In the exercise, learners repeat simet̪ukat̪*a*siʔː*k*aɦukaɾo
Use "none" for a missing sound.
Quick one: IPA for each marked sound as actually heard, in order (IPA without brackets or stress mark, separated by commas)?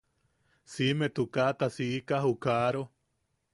a, k